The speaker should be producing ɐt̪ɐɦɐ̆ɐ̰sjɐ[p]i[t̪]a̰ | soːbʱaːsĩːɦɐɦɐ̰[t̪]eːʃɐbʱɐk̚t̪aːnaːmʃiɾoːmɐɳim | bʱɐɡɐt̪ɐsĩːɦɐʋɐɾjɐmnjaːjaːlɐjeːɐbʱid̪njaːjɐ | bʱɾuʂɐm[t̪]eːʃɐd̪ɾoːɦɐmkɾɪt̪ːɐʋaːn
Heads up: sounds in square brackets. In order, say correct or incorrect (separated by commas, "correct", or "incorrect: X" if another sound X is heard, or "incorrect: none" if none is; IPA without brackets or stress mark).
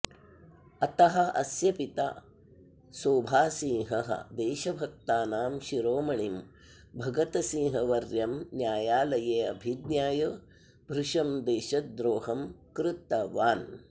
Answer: correct, correct, incorrect: d̪, incorrect: d̪